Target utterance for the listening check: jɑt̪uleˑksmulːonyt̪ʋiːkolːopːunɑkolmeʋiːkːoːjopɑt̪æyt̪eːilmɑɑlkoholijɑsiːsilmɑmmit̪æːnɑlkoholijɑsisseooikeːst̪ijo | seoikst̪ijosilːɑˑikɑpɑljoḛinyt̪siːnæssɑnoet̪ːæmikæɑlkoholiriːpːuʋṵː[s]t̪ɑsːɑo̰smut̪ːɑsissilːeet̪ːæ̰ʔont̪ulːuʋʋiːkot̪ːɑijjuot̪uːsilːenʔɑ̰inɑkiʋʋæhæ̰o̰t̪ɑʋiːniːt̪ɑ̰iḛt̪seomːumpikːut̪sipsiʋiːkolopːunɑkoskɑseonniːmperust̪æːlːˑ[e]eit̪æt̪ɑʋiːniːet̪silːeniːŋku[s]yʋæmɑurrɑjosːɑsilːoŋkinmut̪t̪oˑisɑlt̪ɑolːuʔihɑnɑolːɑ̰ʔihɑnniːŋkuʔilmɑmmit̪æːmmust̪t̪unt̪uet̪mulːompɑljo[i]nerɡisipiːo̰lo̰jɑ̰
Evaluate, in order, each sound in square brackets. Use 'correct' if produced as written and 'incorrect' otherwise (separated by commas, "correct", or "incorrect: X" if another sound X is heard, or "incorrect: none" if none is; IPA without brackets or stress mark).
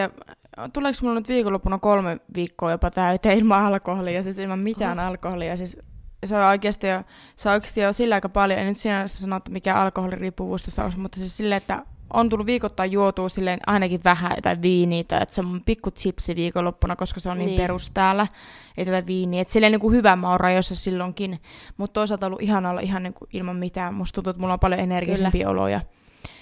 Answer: correct, incorrect: æ, incorrect: h, incorrect: e